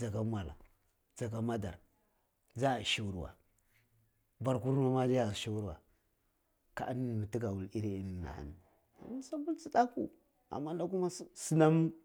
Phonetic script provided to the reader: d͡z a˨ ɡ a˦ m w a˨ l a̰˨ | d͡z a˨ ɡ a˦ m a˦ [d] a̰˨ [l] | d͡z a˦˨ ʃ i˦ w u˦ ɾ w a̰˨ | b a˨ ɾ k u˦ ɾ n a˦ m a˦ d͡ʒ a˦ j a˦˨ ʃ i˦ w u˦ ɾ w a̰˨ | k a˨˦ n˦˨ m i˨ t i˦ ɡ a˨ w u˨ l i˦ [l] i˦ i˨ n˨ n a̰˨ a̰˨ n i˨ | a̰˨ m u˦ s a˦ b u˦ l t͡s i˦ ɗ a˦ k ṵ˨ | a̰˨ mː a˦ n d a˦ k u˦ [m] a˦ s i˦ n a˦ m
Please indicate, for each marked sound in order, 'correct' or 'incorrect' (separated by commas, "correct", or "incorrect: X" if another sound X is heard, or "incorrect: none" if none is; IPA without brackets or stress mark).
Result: correct, incorrect: ɾ, incorrect: ɾ, correct